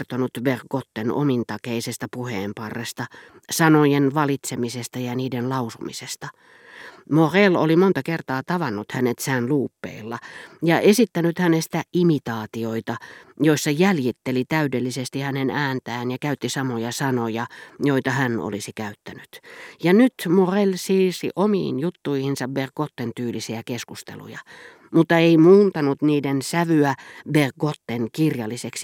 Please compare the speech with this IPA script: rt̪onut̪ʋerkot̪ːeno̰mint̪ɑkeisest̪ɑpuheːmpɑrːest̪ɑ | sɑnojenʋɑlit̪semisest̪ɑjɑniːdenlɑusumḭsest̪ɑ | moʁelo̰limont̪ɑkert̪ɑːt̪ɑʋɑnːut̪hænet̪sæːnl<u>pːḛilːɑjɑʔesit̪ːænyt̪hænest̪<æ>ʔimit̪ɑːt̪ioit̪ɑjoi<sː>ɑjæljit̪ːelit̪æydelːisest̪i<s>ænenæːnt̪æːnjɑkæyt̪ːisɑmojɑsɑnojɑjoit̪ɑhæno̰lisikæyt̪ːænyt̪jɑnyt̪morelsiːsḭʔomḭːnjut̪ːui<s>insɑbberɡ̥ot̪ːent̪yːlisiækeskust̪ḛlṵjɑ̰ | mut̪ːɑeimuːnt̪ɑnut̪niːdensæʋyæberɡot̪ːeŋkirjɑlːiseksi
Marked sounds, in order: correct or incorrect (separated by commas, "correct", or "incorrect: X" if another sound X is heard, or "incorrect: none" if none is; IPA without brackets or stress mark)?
incorrect: uː, correct, correct, incorrect: h, incorrect: h